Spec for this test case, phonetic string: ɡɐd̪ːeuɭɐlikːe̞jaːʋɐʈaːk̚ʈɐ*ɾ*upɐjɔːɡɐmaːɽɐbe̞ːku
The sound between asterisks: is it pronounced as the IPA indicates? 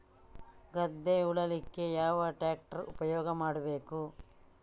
yes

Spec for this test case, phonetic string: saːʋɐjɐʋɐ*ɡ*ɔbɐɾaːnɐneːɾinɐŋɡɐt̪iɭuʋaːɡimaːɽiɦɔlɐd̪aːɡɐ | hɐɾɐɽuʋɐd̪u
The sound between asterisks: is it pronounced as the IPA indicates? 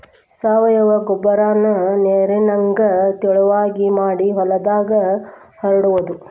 yes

